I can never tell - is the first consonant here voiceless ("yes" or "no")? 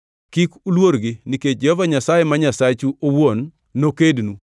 yes